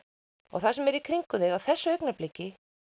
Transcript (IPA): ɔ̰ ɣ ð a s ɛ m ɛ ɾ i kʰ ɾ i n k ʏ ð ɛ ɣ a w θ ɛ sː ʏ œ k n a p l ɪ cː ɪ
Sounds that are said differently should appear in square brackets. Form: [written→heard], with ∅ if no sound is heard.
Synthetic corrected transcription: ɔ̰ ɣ [ð→θ] a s ɛ m ɛ ɾ i kʰ ɾ i [n→ŋ] k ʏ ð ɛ ɣ a w θ ɛ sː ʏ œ k n a p l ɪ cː ɪ

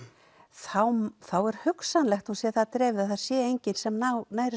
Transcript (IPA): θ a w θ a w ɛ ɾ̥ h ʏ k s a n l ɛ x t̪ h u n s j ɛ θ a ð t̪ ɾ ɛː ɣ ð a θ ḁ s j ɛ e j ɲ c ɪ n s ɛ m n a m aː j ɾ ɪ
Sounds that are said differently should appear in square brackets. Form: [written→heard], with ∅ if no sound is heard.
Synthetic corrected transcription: θ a w θ a w ɛ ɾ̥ h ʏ k s a n l ɛ x t̪ h u n s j ɛ θ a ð t̪ ɾ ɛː [ɣ→v] ð a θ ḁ s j ɛ e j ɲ c ɪ n s ɛ m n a [m→n] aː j ɾ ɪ

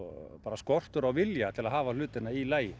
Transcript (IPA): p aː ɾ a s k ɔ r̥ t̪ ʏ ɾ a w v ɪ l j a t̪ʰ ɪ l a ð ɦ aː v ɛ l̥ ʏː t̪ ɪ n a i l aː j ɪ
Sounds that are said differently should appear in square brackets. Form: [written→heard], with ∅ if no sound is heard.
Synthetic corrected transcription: p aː ɾ a s k ɔ r̥ t̪ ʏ ɾ a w v ɪ l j a t̪ʰ ɪ l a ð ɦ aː v [ɛ→a] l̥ ʏː t̪ ɪ n a i l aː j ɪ

